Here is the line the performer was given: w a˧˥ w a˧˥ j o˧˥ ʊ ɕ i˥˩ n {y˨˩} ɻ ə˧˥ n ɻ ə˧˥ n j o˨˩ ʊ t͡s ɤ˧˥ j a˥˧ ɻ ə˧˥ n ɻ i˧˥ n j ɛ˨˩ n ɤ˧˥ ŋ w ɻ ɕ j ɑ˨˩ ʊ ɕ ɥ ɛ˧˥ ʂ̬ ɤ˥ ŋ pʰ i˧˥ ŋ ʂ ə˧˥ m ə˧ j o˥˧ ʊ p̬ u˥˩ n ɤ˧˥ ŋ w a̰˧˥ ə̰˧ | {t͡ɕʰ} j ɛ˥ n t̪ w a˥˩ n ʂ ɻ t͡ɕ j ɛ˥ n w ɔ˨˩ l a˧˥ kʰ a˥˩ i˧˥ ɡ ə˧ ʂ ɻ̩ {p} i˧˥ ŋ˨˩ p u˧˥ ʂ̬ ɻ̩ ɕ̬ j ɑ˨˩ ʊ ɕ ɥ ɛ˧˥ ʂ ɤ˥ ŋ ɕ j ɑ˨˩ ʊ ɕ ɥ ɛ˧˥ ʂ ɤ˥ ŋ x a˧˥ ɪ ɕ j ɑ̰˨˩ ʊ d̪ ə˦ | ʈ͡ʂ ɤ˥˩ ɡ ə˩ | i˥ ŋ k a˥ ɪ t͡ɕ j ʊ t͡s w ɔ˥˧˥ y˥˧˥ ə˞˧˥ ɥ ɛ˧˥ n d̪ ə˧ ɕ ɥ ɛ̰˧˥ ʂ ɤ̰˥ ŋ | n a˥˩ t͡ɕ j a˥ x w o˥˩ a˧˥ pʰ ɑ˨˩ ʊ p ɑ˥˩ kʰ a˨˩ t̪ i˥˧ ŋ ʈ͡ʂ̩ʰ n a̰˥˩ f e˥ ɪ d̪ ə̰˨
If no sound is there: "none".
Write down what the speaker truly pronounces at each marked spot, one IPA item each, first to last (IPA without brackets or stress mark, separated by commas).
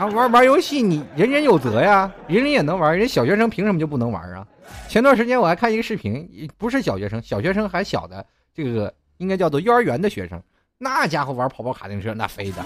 i˨˩, t͡ɕʰ, pʰ